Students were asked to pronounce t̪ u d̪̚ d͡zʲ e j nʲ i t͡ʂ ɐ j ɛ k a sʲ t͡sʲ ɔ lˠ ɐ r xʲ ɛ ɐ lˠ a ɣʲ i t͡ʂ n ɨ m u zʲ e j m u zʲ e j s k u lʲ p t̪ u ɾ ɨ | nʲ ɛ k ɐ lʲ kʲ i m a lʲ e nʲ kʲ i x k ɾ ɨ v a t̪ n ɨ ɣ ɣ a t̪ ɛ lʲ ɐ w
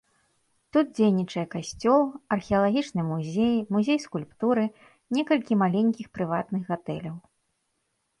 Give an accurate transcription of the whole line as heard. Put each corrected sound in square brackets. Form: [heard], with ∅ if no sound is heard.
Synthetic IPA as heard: t̪ u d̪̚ d͡zʲ e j nʲ i t͡ʂ ɐ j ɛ k a sʲ t͡sʲ ɔ lˠ ɐ r xʲ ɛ ɐ lˠ a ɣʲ i t͡ʂ n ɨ m u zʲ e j m u zʲ e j s k u lʲ p t̪ u ɾ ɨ | nʲ ɛ k ɐ lʲ kʲ i m a lʲ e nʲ kʲ i x [p] ɾ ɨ v a t̪ n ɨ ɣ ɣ a t̪ ɛ lʲ ɐ w